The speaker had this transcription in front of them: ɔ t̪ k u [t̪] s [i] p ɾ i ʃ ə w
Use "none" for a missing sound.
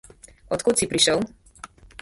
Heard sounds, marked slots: t̪, i

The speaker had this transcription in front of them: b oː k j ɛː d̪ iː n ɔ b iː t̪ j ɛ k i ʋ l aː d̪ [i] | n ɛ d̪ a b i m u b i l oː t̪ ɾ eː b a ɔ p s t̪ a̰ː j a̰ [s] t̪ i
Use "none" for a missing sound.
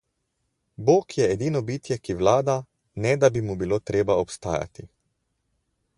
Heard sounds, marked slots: a, none

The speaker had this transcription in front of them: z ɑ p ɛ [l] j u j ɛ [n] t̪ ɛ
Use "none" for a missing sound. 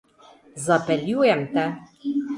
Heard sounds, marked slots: l, m

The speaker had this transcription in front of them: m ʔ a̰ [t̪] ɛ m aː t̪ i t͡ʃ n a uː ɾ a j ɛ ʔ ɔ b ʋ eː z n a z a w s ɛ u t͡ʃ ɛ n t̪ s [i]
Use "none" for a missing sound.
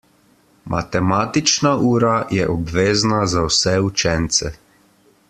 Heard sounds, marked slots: t̪, ɛ

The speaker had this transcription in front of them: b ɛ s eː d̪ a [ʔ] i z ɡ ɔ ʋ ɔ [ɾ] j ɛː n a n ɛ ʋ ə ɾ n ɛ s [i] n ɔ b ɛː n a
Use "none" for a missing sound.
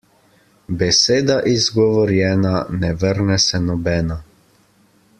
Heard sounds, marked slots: ʔ, ɾ, ɛ

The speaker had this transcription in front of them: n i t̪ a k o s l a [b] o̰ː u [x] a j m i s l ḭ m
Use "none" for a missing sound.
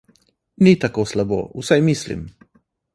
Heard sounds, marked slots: b, s

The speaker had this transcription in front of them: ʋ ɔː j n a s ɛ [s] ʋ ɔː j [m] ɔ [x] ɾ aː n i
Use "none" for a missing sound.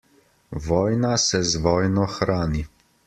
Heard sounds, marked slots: z, n, x

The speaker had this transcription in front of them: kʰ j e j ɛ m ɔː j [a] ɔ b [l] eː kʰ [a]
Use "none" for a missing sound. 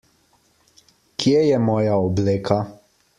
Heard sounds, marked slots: a, l, a

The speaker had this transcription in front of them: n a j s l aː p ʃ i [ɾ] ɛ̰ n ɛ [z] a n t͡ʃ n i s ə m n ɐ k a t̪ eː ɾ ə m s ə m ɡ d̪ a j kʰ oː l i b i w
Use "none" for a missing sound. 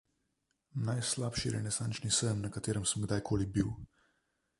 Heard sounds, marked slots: ɾ, s

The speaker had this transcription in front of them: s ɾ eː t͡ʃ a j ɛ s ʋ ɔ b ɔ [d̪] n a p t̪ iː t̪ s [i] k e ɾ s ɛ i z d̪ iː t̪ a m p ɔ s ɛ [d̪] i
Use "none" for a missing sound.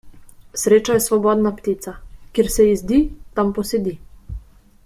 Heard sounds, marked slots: d̪, a, d̪

